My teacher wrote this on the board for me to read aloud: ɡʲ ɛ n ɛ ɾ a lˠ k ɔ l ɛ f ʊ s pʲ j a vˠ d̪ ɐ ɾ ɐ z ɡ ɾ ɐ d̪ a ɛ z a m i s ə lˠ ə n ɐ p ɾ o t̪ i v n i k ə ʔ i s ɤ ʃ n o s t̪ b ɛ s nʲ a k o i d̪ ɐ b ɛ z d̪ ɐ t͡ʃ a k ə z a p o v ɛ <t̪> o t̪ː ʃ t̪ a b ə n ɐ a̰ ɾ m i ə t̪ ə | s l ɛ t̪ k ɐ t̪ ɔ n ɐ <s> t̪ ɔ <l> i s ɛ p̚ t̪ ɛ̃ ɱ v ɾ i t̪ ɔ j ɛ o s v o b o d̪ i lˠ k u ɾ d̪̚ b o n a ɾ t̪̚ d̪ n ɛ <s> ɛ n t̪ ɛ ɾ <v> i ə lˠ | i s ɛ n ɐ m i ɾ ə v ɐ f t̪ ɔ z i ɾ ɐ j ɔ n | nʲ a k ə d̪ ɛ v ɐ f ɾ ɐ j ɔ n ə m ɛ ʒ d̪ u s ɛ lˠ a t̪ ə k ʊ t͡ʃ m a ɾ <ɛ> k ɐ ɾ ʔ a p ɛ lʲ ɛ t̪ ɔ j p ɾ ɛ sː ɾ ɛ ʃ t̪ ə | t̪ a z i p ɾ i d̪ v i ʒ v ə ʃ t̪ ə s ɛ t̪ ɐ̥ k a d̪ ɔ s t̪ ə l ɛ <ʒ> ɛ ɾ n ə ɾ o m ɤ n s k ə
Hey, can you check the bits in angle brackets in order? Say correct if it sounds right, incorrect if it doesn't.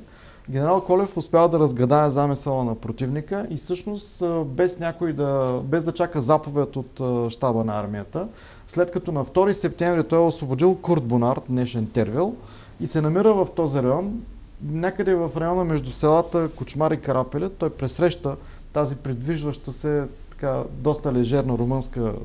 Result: correct, incorrect: f, incorrect: ɾ, incorrect: ʃ, correct, incorrect: i, correct

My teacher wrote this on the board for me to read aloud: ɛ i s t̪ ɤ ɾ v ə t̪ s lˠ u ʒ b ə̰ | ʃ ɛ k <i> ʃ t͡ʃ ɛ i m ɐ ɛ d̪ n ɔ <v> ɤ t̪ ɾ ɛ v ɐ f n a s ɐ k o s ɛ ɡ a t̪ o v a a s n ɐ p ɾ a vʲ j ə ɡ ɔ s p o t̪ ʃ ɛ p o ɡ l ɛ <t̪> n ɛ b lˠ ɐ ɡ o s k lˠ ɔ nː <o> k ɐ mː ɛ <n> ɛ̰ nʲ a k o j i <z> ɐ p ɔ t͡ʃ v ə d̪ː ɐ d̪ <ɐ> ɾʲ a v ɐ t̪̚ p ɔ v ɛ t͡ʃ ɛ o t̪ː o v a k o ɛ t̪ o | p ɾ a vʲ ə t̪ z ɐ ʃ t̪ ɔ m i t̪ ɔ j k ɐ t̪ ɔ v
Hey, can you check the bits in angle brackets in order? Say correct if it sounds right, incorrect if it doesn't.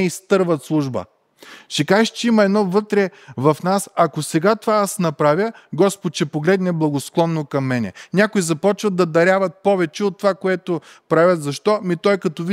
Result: incorrect: a, correct, incorrect: d̪, correct, correct, correct, correct

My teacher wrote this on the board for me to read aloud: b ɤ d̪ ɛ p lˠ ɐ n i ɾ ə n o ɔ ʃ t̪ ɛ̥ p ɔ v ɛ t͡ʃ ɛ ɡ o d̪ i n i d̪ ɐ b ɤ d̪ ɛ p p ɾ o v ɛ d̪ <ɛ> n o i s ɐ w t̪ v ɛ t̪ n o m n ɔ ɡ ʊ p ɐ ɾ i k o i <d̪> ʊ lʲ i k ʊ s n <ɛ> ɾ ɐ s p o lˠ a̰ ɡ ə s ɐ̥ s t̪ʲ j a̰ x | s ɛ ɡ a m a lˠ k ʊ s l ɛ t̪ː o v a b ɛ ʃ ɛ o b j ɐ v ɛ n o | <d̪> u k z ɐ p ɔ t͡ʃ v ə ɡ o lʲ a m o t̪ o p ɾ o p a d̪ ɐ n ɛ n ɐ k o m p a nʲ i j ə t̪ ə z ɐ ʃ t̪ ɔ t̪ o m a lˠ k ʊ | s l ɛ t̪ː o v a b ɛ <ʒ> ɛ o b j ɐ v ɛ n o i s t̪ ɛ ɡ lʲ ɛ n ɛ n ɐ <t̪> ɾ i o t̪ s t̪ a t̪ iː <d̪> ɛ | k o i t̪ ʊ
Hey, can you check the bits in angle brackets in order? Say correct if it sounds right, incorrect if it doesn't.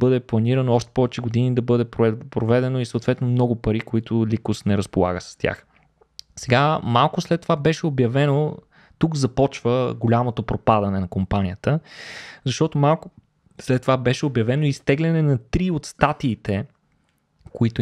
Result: correct, incorrect: t̪, correct, incorrect: t̪, incorrect: ʃ, correct, incorrect: t̪

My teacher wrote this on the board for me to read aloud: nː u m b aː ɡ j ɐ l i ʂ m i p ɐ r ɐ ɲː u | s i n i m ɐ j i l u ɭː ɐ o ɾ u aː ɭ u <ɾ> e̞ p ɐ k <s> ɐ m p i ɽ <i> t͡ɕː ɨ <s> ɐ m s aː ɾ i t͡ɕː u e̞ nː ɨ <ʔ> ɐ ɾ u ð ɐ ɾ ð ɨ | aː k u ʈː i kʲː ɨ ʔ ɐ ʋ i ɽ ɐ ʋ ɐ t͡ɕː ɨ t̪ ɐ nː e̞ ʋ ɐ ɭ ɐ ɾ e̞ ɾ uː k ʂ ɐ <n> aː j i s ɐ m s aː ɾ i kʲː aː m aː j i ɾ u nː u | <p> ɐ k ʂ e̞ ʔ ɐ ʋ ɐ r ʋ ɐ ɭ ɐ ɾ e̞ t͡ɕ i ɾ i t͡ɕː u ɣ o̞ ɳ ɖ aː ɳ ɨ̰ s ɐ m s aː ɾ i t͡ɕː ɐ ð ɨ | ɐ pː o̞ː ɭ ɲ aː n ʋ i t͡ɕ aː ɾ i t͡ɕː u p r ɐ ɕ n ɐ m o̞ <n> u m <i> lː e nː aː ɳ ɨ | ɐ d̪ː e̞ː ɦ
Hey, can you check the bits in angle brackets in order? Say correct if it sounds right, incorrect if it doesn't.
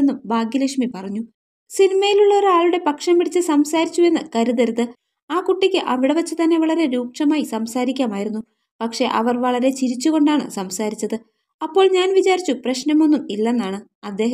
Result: incorrect: ɽ, incorrect: ʂ, correct, correct, incorrect: k, incorrect: m, correct, incorrect: nː, correct

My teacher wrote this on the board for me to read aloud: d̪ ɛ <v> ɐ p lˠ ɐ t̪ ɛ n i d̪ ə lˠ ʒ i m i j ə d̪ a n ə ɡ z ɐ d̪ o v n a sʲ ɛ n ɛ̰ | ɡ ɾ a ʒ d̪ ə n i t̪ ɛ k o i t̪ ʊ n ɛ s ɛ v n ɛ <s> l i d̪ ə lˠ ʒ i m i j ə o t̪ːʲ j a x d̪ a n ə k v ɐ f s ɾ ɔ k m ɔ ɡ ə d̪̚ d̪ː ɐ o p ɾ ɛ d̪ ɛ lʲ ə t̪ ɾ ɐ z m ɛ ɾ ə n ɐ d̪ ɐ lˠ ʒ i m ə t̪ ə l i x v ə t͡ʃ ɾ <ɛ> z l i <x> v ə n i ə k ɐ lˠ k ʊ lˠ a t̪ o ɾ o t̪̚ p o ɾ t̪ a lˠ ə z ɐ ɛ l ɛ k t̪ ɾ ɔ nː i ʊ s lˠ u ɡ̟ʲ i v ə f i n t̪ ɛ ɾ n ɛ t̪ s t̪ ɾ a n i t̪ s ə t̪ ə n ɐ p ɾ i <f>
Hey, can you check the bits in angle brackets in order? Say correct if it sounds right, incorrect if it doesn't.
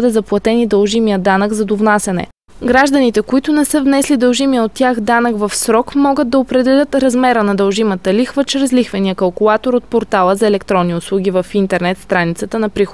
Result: incorrect: z, correct, correct, correct, incorrect: x

